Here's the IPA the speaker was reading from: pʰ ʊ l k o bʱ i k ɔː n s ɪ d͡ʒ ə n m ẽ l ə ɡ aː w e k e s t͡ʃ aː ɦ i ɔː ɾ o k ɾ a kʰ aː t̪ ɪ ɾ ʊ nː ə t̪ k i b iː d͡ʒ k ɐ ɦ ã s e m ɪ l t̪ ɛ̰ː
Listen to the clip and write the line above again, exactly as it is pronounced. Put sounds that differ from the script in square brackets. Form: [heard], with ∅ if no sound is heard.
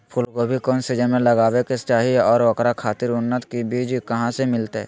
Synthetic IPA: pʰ ʊ l k o bʱ i k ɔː n s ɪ d͡ʒ ə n m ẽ l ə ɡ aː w e k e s t͡ʃ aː ɦ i ɔː ɾ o k ɾ a kʰ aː t̪ ɪ ɾ ʊ nː ə t̪ k i b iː d͡ʒ k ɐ ɦ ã s e m ɪ l t̪ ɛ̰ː